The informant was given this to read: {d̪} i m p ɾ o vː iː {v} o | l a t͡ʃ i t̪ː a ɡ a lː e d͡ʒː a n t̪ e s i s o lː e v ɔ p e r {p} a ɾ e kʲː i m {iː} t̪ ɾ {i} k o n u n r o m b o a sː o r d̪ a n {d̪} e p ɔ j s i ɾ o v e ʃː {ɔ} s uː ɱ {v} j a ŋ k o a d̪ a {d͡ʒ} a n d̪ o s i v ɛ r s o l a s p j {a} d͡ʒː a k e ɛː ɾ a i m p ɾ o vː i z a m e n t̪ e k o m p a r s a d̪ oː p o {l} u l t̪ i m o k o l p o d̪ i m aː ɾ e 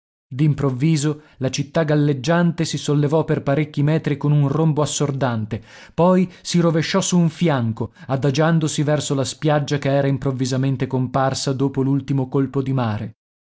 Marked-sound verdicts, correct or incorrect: correct, incorrect, correct, incorrect, correct, incorrect, correct, incorrect, correct, correct, correct

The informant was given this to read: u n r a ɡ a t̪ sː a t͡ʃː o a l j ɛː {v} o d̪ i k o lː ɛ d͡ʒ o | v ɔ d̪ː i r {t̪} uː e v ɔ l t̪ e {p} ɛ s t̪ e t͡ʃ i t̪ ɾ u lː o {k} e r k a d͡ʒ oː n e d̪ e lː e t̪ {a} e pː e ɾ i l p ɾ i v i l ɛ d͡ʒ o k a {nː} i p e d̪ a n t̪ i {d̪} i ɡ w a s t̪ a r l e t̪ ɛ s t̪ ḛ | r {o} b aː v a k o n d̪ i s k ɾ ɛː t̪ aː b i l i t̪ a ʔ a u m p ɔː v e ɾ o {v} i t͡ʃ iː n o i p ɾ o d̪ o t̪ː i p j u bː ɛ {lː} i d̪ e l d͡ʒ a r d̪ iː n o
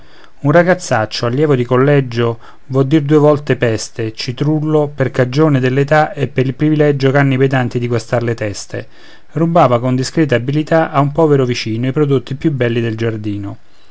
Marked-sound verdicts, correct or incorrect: correct, incorrect, correct, incorrect, correct, correct, correct, incorrect, correct, correct

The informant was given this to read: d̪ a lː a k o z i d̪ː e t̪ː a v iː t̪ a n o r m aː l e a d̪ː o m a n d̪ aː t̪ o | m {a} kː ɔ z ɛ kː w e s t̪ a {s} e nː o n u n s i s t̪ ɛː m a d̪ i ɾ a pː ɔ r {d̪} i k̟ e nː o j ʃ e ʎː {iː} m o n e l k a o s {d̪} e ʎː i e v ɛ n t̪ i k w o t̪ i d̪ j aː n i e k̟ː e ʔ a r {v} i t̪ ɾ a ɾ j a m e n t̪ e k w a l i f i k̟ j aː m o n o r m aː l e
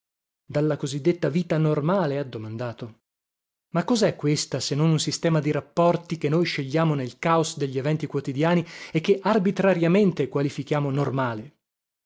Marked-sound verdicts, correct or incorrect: correct, correct, incorrect, incorrect, correct, incorrect

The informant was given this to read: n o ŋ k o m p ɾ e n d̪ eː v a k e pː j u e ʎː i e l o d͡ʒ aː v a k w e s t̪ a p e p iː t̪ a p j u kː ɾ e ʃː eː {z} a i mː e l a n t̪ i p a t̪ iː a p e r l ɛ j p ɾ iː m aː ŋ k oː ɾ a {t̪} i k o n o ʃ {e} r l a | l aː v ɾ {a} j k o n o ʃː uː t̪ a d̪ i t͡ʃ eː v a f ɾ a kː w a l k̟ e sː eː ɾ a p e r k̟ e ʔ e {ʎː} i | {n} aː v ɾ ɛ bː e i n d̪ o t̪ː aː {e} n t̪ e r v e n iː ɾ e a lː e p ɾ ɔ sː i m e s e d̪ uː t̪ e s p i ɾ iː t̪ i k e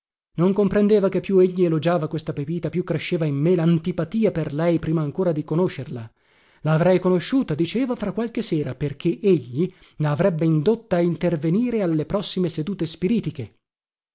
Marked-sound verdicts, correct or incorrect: incorrect, incorrect, correct, incorrect, correct, correct, incorrect

